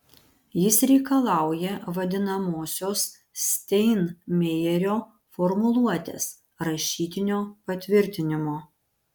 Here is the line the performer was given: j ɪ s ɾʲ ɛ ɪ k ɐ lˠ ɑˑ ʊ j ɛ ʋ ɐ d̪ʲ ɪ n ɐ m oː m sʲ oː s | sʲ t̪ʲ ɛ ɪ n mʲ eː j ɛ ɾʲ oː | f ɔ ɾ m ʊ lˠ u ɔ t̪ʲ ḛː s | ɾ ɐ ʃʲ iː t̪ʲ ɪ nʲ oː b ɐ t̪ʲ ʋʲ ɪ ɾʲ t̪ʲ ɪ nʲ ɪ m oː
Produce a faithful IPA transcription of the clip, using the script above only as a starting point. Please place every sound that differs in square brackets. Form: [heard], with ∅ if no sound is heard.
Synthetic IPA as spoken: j ɪ s ɾʲ ɛ ɪ k ɐ lˠ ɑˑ ʊ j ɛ ʋ ɐ d̪ʲ ɪ n ɐ m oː [∅] sʲ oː s | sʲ t̪ʲ ɛ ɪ n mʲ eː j ɛ ɾʲ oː | f ɔ ɾ m ʊ lˠ u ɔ t̪ʲ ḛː s | ɾ ɐ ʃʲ iː t̪ʲ ɪ nʲ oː [p] ɐ t̪ʲ ʋʲ ɪ ɾʲ t̪ʲ ɪ nʲ ɪ m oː